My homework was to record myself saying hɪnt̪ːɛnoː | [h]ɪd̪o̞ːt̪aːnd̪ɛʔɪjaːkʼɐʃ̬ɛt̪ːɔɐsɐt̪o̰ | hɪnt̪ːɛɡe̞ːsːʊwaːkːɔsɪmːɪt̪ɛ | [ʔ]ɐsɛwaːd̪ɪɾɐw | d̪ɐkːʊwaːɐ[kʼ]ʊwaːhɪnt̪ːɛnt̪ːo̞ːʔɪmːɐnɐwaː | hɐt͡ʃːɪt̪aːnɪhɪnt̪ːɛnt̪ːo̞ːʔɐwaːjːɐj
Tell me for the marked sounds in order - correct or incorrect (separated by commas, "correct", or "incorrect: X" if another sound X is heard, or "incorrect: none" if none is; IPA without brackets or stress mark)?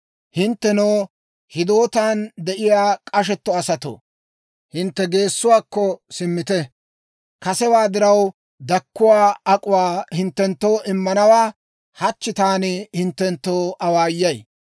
correct, incorrect: k, correct